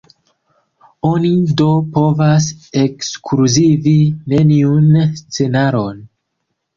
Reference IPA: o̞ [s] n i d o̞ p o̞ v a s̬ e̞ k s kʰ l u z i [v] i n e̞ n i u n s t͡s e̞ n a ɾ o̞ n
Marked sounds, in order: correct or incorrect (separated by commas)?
incorrect, correct